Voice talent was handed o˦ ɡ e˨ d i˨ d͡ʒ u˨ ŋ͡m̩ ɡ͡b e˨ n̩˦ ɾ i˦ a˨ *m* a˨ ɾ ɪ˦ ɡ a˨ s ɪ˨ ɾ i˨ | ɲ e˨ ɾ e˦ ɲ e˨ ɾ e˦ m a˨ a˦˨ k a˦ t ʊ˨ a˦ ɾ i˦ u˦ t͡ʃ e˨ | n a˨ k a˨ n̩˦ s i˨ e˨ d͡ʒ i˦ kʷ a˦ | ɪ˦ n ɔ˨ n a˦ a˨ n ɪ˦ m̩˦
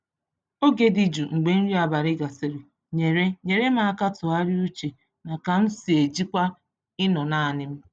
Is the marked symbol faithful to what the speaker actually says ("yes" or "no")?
no